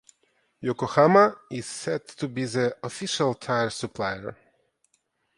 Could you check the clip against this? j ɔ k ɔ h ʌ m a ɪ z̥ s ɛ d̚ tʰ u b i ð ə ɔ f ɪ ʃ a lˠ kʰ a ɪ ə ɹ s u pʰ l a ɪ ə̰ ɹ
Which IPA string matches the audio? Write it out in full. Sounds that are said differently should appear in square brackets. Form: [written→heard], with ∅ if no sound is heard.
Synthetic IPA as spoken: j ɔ k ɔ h [ʌ→a] m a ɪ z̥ s ɛ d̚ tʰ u b i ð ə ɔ f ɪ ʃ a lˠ [kʰ→tʰ] a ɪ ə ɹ s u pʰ l a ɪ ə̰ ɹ